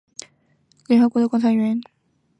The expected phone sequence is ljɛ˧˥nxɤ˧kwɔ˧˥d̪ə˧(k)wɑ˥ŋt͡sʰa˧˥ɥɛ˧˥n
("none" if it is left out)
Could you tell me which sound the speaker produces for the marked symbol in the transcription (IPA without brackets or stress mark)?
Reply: k